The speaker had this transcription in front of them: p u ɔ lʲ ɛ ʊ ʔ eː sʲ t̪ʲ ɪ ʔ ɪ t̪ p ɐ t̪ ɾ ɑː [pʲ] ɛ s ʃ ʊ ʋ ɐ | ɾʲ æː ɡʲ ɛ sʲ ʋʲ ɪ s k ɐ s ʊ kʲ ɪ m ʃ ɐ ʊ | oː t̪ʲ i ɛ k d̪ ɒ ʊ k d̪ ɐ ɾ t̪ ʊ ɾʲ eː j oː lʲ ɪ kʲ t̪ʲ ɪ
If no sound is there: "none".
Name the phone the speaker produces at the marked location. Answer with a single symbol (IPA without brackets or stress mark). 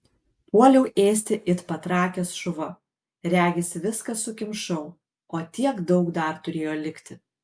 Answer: kʲ